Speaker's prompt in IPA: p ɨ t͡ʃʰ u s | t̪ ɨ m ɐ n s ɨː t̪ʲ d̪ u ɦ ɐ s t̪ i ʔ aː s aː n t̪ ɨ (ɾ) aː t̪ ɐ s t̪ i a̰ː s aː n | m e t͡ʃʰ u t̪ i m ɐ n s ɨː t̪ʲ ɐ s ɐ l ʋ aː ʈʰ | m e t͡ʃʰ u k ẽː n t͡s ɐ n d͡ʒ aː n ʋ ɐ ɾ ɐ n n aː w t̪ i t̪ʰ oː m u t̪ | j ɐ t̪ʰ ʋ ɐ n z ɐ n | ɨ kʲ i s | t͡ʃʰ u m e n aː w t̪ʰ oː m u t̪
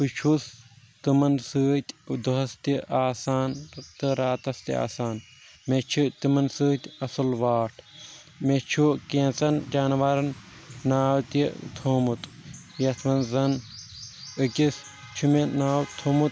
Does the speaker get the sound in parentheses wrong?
no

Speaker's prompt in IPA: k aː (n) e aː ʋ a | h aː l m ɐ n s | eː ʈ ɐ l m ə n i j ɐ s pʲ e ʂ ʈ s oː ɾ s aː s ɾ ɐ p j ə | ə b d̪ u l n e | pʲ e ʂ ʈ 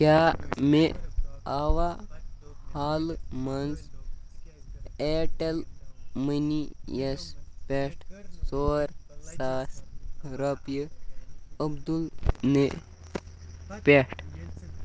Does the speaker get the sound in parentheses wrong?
yes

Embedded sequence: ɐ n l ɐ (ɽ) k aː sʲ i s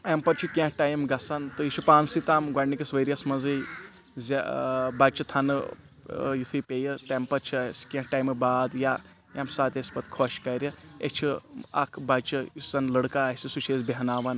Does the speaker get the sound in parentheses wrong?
no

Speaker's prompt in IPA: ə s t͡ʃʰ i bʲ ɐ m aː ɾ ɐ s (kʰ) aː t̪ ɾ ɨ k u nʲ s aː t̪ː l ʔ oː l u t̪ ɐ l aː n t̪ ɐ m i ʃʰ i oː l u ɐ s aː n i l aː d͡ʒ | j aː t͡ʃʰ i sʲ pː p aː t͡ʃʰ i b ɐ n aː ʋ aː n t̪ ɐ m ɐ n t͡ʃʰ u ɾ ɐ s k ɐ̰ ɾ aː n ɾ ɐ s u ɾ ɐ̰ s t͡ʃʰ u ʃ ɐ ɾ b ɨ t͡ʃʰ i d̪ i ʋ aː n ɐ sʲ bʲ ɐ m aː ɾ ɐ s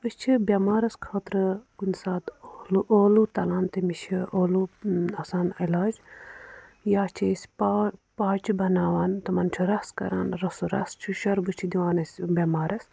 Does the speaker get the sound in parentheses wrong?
no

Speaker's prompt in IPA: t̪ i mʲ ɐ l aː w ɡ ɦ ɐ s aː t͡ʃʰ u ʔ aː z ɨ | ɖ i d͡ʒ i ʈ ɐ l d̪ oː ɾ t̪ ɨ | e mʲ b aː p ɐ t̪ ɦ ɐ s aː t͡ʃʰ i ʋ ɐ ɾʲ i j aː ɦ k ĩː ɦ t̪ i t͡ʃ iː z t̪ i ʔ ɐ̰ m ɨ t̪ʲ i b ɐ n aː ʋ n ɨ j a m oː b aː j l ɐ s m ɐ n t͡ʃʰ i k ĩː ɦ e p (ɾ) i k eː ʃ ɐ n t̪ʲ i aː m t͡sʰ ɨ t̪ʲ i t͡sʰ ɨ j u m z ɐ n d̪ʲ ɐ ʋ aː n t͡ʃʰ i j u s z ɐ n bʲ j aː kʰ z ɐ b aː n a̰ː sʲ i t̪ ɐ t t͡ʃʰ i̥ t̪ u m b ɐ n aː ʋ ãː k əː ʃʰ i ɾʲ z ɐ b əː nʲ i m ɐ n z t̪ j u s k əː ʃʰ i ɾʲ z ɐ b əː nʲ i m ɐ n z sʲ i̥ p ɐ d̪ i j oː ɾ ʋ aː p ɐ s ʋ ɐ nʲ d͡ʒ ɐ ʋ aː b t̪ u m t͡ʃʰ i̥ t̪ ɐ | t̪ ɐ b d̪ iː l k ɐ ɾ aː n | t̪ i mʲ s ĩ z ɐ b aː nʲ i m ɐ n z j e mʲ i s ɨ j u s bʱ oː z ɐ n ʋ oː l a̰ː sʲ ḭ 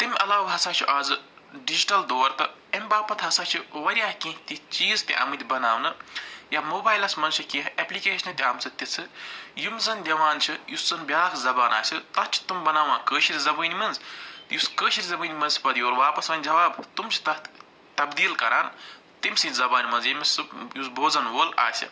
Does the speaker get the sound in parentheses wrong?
yes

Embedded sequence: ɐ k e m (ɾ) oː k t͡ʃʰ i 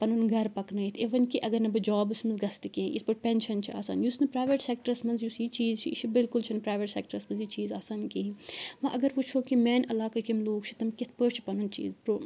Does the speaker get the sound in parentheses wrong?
yes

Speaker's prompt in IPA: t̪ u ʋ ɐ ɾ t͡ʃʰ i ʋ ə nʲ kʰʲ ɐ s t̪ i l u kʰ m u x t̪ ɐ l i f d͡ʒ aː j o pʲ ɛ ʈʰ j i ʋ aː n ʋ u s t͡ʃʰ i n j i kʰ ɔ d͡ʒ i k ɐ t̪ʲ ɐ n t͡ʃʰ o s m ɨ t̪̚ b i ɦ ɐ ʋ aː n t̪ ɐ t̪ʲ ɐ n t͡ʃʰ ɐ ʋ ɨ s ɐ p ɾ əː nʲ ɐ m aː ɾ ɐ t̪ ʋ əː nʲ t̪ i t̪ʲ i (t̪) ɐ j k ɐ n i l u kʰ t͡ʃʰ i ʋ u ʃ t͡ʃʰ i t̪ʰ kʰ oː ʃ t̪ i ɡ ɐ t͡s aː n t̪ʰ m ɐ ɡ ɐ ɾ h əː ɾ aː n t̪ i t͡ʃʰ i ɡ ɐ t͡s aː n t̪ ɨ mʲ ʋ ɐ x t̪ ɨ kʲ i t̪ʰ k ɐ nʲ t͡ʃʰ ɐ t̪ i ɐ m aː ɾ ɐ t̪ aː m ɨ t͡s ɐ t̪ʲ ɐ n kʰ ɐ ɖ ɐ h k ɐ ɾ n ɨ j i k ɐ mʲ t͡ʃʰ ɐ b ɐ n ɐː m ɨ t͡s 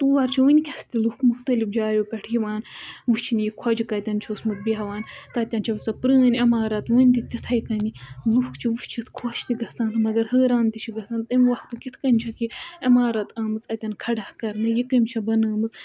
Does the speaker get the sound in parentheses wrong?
yes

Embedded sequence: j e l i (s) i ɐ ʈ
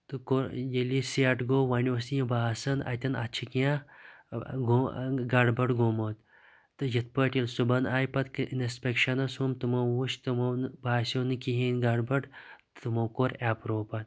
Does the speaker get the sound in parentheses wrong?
no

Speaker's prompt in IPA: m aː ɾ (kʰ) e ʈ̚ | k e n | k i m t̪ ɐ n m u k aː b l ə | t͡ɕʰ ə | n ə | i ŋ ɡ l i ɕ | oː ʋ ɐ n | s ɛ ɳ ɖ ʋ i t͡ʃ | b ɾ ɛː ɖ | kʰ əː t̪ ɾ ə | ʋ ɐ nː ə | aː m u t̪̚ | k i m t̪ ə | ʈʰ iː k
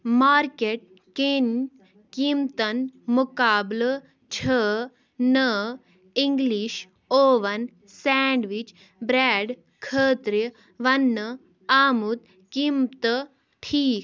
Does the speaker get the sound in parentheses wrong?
yes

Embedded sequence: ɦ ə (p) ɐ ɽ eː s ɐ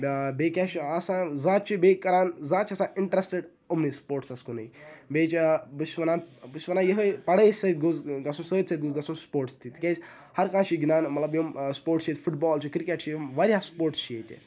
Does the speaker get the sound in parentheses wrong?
no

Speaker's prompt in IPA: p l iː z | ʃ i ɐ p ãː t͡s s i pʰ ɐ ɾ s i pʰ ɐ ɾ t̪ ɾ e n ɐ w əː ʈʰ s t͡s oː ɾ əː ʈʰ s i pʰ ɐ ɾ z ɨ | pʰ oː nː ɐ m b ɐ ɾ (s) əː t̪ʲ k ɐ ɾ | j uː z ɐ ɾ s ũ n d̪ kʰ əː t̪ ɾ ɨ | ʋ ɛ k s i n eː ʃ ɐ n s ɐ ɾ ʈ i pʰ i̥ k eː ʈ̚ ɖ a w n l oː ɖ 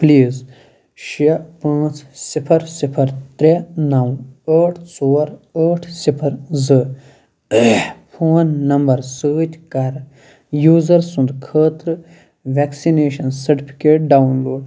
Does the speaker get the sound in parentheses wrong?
no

